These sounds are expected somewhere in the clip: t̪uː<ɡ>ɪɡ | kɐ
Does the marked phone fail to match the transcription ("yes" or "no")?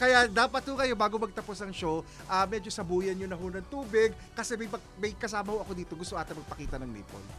yes